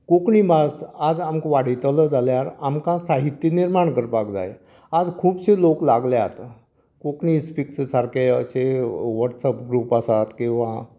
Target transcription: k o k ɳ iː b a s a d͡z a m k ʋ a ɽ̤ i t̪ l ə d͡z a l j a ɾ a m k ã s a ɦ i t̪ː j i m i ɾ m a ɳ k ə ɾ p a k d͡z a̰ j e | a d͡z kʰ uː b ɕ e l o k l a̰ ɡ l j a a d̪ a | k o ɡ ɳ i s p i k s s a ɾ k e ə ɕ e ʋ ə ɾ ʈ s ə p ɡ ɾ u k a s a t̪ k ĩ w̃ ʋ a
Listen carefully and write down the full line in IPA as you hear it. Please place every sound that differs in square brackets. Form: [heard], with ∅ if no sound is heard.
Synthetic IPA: k o k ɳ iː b a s a d͡z a m k ʋ a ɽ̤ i t̪ l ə d͡z a l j a ɾ a m k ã s a ɦ i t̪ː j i [n] i ɾ m a ɳ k ə ɾ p a k d͡z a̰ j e | a d͡z kʰ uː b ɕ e l o k l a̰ ɡ l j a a [t̪] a | k o [k] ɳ i s p i k s s a ɾ k e ə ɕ e ʋ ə ɾ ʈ s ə p ɡ ɾ u [p] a s a t̪ k ĩ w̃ ʋ a